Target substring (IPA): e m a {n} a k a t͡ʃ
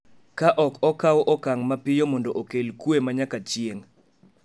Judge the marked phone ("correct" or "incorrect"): incorrect